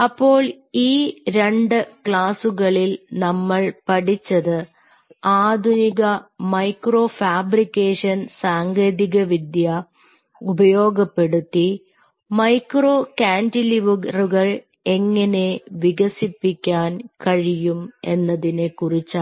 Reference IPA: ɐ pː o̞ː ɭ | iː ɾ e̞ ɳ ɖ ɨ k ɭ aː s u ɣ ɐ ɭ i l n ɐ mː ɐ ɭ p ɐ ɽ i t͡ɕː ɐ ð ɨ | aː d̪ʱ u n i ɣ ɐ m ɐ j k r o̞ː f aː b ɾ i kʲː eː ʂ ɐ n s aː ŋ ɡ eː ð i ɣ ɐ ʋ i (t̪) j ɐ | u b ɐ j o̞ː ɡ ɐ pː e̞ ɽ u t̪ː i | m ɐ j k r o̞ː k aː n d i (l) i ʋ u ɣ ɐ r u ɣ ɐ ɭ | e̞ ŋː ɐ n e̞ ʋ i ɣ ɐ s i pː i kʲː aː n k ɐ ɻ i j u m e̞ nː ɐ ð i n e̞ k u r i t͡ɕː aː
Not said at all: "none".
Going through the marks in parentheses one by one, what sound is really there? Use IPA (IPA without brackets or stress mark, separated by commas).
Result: d̪, l